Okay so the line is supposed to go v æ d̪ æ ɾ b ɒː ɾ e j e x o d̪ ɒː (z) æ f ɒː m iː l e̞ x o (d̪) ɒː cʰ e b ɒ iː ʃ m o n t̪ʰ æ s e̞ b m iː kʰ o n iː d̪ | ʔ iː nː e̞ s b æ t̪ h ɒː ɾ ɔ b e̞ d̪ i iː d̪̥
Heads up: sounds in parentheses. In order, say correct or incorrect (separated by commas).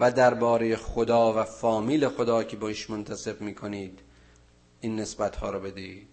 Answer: incorrect, correct